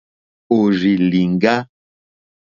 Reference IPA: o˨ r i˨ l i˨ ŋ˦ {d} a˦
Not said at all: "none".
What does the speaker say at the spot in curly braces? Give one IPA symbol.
ɡ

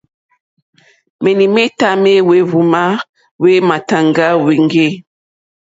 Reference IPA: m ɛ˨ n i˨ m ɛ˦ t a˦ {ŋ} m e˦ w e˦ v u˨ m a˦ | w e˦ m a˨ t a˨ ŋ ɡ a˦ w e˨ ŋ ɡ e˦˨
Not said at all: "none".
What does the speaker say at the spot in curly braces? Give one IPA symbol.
none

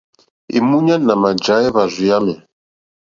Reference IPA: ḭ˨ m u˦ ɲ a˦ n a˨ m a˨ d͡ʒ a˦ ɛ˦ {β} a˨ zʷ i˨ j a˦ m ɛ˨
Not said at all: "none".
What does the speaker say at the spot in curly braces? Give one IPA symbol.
β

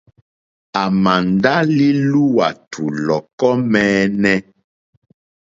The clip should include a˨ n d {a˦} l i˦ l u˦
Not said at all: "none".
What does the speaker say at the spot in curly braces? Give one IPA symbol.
a˦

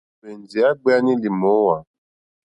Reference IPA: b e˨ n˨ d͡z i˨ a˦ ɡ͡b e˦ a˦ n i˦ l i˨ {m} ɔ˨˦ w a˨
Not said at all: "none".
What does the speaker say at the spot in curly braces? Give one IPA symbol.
m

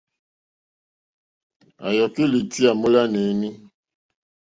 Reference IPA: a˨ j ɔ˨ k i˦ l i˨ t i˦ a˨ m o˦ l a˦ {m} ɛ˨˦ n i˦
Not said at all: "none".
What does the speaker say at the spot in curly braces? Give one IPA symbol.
n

